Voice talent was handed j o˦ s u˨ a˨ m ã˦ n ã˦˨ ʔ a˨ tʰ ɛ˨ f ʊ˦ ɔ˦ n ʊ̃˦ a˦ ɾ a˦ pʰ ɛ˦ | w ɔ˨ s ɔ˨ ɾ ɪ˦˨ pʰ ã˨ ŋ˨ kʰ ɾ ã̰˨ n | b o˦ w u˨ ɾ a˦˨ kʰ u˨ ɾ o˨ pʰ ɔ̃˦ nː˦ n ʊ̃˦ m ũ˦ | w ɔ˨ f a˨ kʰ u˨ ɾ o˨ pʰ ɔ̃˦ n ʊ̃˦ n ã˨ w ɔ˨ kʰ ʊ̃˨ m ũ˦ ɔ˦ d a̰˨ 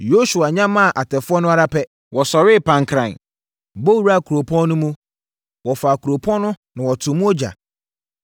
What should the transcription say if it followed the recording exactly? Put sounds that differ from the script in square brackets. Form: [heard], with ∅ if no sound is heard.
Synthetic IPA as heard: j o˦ s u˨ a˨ [ɲ] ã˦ [m] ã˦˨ ʔ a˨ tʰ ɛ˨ f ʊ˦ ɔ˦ n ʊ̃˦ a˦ ɾ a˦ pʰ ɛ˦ | w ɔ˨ s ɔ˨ ɾ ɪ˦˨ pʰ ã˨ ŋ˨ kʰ ɾ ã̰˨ n | b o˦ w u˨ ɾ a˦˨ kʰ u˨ ɾ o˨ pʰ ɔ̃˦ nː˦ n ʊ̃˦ m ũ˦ | w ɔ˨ f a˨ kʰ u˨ ɾ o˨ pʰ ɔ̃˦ n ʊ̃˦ n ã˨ w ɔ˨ [tʰ] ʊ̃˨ m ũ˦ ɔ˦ [d͡ʑ] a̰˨